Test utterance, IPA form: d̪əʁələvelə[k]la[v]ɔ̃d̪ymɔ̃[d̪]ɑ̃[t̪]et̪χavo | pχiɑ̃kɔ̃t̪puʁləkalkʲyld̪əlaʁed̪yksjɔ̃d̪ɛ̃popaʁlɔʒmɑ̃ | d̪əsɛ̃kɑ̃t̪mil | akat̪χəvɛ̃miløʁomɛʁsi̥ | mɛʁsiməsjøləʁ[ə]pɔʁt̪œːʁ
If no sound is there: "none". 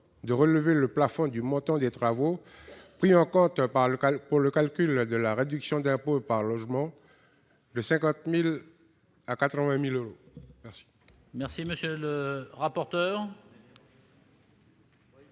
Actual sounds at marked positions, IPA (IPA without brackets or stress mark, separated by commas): p, f, t̪, d̪, a